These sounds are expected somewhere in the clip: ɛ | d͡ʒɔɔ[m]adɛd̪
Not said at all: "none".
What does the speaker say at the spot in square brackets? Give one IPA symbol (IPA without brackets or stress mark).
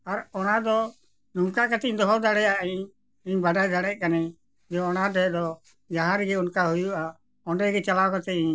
n